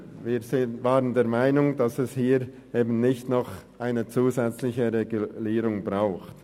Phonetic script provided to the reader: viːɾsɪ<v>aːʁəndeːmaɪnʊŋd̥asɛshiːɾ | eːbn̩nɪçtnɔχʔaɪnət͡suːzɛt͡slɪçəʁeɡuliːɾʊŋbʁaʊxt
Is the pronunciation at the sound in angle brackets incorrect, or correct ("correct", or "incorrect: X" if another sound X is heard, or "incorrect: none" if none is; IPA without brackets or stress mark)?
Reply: correct